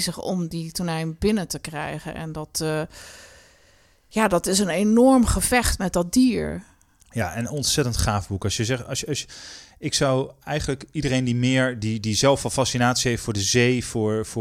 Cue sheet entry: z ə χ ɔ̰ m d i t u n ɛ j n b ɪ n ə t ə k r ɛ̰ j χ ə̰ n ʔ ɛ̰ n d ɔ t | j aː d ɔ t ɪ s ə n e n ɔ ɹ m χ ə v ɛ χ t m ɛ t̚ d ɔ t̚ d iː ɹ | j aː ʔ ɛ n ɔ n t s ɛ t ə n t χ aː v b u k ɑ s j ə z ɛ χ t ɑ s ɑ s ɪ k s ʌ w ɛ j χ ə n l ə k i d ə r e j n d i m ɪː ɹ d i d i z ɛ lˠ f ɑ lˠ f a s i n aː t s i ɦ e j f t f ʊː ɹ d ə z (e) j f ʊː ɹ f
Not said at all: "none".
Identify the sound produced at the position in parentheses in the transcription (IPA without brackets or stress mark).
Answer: e